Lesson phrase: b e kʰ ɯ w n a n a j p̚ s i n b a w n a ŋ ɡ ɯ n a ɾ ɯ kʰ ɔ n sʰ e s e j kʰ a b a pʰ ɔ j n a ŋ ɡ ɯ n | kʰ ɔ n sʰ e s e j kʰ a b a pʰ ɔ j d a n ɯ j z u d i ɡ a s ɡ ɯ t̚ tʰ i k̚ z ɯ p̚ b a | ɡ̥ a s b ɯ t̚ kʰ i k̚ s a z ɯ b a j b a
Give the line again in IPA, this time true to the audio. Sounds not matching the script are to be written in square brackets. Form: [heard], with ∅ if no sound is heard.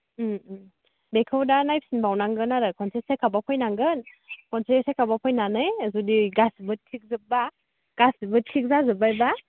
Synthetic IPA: b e kʰ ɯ w [d] a n a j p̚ s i n b a w n a ŋ ɡ ɯ n a ɾ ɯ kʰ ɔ n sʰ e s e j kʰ a b a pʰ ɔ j n a ŋ ɡ ɯ n | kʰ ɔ n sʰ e s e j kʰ a b a pʰ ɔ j [n] a n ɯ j z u d i ɡ a s [b] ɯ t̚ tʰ i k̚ z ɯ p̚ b a | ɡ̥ a s b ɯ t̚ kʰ i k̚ [z] a z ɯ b a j b a